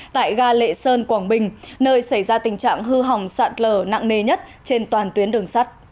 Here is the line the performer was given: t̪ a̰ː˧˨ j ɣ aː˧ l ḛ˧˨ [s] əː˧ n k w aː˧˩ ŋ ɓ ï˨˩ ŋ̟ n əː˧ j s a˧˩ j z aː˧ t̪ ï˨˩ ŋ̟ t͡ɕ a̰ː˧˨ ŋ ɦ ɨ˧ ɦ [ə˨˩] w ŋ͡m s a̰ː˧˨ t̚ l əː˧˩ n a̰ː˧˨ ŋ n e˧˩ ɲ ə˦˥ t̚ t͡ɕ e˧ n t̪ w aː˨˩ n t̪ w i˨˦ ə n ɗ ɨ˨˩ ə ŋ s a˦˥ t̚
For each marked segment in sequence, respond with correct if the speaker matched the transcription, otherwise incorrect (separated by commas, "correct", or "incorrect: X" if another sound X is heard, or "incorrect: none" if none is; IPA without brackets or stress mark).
correct, incorrect: a˨˩